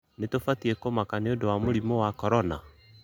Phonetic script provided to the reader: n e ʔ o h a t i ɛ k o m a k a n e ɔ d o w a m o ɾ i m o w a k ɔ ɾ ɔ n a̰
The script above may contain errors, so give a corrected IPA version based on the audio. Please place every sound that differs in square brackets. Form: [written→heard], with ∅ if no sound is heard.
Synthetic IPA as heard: n e [ʔ→t] o [h→f] a t i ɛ k o m a k a n e [ɔ→o] d o w a m o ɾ i m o w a k ɔ ɾ ɔ n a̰